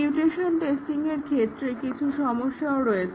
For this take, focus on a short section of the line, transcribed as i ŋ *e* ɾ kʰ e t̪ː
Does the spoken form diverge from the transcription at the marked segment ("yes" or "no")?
no